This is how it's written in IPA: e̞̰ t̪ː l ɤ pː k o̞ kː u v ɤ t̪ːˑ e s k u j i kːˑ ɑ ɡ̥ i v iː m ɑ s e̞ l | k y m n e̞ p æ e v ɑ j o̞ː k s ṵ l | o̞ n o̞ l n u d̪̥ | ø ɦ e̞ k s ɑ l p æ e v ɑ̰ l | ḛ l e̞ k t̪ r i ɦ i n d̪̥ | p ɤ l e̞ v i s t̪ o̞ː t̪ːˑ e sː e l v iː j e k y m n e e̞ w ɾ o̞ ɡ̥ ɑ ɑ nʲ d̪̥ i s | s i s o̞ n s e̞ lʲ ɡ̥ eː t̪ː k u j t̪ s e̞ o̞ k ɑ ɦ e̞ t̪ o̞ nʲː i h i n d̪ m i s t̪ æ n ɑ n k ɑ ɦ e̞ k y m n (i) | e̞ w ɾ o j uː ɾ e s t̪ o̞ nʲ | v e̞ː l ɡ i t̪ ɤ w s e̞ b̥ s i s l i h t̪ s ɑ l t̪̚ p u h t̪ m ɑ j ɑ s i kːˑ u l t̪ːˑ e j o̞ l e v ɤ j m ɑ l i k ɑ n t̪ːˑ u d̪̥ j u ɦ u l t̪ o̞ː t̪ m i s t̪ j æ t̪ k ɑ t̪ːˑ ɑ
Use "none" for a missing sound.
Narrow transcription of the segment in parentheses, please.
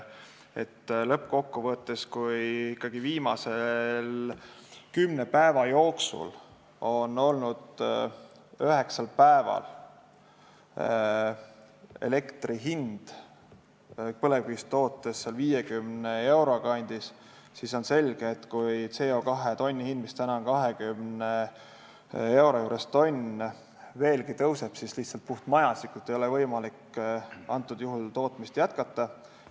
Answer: e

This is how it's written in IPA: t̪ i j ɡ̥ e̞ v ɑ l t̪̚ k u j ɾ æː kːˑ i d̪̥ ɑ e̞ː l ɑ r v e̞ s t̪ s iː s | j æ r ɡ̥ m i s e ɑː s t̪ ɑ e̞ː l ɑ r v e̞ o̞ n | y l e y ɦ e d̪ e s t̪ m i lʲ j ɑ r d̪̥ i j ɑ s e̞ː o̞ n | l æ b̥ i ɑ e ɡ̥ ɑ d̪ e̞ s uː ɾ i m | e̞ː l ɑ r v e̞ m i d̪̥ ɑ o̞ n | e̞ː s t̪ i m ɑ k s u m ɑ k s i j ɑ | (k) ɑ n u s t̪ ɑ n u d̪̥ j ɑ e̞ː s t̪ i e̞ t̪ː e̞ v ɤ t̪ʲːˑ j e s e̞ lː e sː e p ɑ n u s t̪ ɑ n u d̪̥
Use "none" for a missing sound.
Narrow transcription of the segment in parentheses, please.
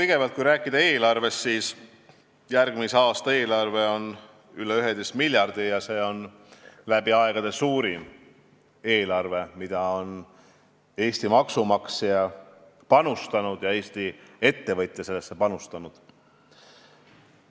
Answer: p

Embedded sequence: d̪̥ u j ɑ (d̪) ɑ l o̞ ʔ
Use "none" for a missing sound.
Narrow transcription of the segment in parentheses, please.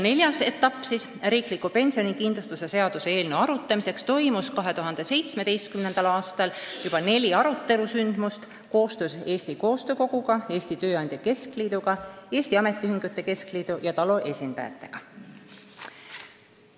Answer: t̪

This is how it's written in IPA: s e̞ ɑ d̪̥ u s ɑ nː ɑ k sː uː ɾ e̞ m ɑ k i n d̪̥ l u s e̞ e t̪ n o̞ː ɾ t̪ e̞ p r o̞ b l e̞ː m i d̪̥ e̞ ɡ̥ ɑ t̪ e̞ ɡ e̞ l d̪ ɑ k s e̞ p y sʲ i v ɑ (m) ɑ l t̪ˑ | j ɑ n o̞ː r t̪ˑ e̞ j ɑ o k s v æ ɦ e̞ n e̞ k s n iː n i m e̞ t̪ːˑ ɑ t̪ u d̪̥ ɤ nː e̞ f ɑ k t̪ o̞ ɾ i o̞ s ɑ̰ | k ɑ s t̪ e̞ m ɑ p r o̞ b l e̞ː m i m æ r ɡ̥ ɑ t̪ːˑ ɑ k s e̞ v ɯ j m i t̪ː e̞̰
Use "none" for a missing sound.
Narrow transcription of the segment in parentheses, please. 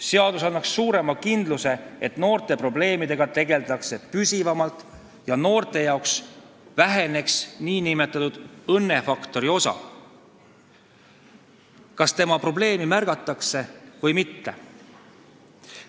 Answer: m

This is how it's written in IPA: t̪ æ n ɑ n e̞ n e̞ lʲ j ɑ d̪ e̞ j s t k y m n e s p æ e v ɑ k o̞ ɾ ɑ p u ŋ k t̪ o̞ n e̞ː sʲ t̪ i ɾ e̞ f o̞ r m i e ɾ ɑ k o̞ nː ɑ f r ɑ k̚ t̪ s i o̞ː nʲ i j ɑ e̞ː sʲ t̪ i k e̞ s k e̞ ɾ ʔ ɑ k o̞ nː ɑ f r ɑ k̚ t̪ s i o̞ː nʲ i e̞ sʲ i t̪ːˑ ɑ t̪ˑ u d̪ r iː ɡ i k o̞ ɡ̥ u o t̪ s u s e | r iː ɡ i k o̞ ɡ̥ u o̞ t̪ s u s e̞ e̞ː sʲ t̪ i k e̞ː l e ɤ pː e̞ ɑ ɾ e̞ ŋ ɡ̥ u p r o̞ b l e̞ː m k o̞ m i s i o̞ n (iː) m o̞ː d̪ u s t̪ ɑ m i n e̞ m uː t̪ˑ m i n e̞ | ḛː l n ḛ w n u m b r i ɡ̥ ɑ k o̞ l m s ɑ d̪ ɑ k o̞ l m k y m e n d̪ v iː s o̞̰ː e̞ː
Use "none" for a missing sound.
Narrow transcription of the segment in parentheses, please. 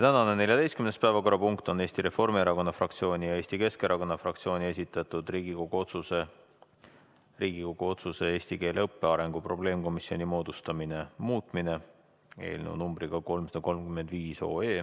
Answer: i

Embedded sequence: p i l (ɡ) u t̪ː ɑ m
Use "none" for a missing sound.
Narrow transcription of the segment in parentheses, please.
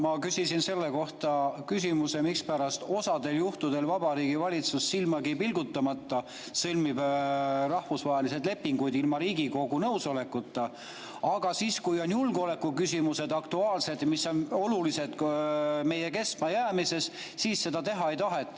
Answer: ɡ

